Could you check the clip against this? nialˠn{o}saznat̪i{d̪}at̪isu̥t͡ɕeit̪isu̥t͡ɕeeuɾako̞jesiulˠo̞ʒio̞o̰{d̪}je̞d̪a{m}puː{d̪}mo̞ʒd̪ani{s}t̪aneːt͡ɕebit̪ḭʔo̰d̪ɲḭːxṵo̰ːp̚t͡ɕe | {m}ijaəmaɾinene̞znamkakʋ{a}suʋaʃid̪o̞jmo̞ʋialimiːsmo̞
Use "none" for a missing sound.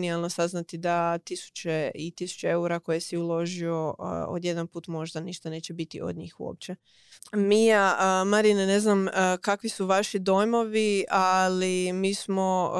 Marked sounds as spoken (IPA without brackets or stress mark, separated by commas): o, d̪, d̪, n, t̪, ʃ, m, i